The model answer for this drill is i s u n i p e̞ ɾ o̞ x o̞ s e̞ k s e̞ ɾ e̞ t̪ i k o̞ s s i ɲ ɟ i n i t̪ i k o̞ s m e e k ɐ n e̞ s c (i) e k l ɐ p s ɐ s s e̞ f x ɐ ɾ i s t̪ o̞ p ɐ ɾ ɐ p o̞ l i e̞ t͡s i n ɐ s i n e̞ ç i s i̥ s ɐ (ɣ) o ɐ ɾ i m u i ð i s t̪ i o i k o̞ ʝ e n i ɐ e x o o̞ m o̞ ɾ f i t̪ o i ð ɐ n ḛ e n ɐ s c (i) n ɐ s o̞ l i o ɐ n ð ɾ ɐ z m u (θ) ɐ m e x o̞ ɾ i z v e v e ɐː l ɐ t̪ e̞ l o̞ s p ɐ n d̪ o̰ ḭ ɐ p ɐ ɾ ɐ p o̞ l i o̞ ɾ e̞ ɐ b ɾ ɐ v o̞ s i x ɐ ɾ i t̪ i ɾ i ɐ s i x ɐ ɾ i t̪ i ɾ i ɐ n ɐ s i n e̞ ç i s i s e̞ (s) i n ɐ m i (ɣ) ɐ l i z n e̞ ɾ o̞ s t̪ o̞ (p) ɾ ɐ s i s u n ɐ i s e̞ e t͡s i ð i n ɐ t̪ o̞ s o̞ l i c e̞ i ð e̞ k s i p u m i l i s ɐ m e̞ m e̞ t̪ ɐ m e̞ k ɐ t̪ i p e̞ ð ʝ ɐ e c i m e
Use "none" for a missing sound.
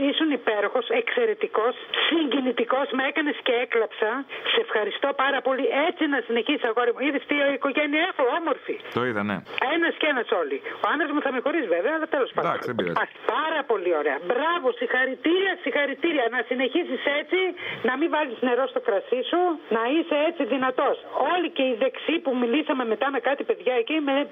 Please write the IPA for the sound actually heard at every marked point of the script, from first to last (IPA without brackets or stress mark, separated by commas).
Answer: e, ɣ, e, θ, t͡s, v, k